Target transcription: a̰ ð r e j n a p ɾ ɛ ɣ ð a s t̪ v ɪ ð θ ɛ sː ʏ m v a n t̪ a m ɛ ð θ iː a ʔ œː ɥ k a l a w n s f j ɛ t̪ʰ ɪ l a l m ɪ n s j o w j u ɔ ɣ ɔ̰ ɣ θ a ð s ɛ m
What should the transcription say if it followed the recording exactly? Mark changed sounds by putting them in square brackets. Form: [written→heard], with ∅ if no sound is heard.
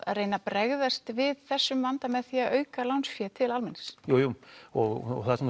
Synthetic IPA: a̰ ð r e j n a p ɾ ɛ ɣ ð a s t̪ v ɪ ð θ ɛ sː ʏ m v a n t̪ a m ɛ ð θ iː a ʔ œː ɥ k a l a w n s f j ɛ t̪ʰ ɪ l a l m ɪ n s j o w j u ɔ ɣ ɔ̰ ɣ θ a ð s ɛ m